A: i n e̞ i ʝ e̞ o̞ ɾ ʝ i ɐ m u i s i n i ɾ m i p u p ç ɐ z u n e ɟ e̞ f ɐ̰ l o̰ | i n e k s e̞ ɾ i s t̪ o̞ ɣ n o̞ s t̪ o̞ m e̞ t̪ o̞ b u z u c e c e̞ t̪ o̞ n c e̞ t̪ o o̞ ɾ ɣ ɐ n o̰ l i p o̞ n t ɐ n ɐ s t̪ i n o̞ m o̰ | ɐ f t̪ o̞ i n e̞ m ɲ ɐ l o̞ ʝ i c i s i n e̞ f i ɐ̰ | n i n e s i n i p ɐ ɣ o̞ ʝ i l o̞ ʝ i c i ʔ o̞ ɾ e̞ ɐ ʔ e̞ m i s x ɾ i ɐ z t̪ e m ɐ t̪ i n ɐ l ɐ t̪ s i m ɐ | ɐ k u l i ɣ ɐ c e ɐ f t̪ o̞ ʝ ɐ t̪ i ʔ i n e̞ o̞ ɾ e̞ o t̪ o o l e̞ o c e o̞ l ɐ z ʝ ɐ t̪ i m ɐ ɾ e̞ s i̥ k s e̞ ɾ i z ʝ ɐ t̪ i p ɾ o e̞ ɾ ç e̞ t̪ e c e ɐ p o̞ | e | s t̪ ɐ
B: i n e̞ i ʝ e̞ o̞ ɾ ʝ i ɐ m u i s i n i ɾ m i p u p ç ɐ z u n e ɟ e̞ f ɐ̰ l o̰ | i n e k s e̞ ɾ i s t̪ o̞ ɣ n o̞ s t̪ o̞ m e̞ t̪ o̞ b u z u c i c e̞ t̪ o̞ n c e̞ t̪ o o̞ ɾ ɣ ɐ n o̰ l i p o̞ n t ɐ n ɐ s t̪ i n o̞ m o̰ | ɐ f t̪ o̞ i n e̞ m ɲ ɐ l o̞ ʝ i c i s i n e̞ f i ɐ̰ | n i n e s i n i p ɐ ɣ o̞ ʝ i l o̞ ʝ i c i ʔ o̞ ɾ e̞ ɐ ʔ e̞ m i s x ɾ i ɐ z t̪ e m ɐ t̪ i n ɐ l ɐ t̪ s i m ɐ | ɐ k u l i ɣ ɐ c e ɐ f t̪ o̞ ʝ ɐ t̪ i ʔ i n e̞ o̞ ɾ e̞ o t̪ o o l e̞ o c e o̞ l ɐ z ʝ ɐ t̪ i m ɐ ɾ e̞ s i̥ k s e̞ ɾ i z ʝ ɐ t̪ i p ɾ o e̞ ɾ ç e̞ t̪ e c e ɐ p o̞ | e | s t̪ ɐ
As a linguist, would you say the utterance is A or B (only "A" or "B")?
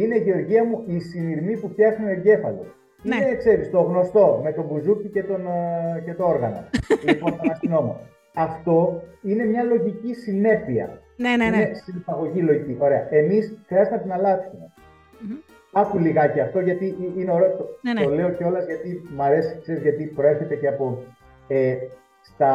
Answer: B